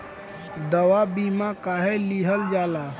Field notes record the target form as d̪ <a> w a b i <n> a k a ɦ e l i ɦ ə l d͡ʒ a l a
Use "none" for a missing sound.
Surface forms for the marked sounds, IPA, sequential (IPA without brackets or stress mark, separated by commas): ə, m